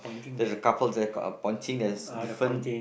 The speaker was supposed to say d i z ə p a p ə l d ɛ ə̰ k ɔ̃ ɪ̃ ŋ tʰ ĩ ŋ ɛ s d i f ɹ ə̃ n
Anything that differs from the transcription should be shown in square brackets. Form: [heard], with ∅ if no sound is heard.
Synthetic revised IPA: d [ɛ] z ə [k] a p ə l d ɛ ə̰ [p] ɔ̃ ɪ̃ [n] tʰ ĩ ŋ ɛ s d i f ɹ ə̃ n